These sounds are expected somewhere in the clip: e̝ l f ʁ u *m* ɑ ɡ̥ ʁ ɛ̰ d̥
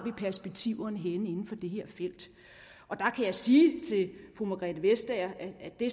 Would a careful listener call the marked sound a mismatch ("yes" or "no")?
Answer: no